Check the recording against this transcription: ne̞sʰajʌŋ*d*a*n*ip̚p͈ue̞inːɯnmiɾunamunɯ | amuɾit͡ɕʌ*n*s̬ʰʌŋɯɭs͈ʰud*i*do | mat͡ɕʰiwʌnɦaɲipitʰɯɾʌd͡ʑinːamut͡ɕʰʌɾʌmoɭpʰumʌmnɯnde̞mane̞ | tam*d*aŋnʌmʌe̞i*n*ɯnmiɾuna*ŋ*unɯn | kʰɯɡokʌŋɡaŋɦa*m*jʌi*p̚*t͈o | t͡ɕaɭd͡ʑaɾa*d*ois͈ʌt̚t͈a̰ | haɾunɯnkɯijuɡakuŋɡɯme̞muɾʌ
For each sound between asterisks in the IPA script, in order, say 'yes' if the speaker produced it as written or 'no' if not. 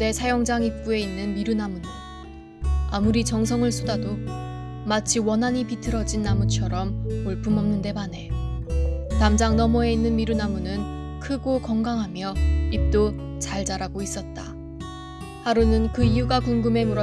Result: no, no, no, no, no, no, no, yes, yes, no

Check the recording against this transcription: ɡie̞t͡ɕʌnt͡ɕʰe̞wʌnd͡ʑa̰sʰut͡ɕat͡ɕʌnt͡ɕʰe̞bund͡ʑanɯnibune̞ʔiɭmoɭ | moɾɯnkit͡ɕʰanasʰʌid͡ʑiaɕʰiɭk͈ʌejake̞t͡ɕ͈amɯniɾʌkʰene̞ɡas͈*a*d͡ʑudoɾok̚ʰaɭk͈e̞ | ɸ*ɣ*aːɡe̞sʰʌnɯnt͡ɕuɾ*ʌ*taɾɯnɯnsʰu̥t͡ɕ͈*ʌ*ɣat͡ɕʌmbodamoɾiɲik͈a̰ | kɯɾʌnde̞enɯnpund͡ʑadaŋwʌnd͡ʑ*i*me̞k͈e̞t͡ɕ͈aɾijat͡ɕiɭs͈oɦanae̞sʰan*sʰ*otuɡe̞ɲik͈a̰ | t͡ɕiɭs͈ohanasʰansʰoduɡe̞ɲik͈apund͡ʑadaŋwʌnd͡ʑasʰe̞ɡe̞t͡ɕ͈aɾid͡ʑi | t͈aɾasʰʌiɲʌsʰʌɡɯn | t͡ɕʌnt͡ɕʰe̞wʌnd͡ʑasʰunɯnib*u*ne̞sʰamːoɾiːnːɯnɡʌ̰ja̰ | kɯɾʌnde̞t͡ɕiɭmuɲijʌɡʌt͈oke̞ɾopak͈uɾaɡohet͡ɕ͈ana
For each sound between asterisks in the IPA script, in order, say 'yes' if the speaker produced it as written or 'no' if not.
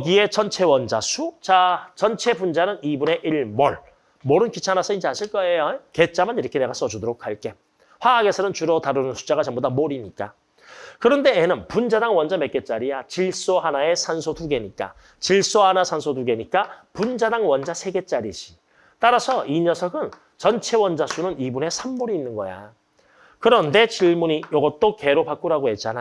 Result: no, no, yes, no, no, yes, yes

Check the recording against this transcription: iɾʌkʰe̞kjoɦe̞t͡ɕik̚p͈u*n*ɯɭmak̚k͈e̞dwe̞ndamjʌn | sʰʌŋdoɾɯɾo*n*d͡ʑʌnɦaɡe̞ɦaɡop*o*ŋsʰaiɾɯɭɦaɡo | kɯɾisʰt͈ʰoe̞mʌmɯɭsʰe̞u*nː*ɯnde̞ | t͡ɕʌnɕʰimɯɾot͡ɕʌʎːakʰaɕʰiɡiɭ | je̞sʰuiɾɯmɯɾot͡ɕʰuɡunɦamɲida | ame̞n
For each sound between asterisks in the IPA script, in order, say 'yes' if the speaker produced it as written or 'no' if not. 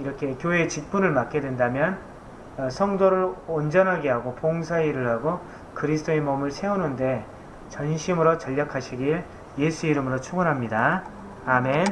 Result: yes, yes, yes, no

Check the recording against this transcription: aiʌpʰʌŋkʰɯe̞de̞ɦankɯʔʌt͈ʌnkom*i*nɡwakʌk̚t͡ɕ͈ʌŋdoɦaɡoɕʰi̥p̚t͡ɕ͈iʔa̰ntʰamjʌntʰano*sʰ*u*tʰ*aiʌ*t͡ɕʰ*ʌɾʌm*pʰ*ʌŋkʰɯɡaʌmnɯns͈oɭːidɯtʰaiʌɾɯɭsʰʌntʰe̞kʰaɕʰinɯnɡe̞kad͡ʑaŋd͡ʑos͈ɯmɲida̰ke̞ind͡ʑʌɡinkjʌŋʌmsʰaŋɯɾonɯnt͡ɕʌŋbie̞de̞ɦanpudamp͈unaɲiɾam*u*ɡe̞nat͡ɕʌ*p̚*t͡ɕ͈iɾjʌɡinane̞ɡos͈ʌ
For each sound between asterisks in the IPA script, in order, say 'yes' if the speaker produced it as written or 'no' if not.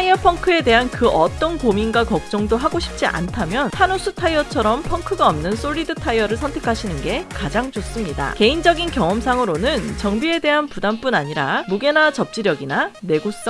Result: yes, yes, yes, yes, yes, yes, yes

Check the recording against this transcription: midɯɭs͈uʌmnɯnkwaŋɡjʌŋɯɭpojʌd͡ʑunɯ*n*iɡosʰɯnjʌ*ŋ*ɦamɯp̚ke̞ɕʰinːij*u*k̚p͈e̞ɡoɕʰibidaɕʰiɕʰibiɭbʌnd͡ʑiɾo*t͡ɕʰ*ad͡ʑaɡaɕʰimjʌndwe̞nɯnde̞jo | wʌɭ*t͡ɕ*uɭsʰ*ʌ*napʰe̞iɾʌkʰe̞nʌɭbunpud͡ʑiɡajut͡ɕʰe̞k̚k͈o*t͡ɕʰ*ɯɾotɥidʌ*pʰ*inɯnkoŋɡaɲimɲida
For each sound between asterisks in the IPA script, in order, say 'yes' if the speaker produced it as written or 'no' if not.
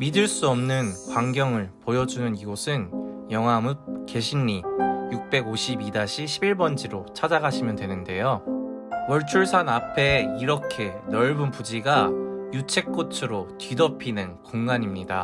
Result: yes, yes, yes, yes, no, no, yes, yes

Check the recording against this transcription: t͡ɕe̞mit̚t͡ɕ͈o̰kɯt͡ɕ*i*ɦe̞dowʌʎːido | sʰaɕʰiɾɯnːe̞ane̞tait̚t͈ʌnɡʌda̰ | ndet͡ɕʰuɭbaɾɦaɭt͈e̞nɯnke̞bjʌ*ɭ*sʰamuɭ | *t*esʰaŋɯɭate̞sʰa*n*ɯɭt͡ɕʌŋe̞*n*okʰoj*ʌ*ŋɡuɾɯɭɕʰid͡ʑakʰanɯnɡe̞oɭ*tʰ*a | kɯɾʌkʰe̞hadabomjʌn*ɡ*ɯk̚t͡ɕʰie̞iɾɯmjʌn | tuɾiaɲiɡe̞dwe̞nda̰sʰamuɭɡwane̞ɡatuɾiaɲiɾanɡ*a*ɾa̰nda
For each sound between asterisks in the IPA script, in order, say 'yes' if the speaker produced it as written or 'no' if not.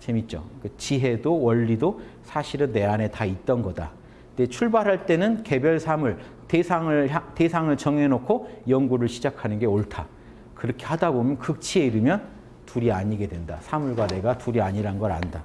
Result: yes, yes, yes, no, yes, yes, yes, no, no

